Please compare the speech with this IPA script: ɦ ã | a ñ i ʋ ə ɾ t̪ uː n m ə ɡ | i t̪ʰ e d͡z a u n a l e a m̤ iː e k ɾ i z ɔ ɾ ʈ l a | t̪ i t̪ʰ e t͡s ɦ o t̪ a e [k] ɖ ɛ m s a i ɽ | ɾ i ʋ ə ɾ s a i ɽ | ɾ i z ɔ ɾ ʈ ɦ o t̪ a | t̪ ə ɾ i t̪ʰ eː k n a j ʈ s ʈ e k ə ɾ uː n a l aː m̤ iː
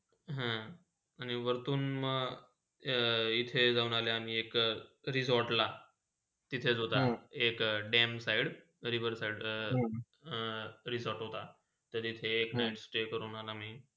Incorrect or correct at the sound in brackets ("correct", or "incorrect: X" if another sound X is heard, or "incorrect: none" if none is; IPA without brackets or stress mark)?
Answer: correct